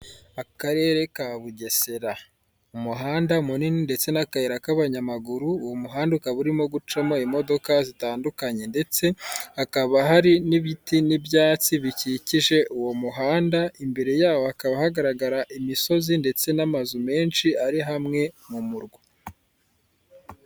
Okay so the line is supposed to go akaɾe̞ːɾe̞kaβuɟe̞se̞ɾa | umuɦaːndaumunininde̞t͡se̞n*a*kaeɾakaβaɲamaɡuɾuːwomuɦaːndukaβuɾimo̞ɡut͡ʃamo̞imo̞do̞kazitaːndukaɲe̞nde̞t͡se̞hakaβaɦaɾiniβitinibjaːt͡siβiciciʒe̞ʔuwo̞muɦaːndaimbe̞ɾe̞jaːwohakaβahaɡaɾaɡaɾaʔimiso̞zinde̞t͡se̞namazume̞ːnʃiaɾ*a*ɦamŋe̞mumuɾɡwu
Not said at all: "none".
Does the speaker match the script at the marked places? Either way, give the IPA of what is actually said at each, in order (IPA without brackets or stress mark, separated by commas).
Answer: a, i